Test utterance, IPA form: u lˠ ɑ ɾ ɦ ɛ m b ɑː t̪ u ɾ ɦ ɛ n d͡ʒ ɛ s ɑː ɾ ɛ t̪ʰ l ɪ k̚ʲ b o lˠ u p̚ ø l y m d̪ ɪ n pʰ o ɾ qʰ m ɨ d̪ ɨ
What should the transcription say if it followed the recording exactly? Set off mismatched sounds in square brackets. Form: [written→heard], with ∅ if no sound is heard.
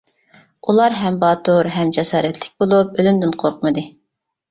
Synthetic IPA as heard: u lˠ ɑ ɾ ɦ ɛ m b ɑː t̪ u ɾ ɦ ɛ [n→m] d͡ʒ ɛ s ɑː ɾ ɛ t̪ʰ l ɪ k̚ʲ b o lˠ u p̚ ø l y m d̪ ɪ n [pʰ→qʰ] o ɾ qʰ m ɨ d̪ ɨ